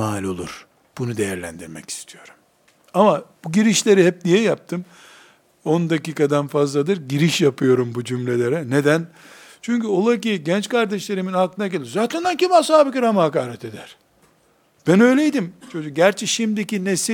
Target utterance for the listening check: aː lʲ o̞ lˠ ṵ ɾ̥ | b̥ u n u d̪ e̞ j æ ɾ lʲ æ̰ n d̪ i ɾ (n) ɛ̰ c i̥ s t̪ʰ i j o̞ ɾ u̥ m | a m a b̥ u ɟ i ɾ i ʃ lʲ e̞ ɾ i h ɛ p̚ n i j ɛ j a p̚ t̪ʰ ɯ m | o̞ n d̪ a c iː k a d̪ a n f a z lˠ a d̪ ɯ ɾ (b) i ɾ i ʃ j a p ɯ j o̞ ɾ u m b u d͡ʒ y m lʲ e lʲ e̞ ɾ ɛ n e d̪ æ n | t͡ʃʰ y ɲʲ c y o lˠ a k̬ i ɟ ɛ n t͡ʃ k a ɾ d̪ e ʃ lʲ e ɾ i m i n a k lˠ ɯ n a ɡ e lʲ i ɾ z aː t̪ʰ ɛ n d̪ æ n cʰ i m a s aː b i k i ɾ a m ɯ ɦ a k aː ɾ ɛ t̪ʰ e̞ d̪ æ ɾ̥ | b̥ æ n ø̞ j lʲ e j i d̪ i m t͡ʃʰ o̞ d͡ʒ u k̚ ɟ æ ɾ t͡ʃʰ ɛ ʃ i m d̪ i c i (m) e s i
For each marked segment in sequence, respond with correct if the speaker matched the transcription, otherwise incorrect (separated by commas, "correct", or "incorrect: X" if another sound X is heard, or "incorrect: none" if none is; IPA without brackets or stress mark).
incorrect: m, incorrect: ɟ, incorrect: n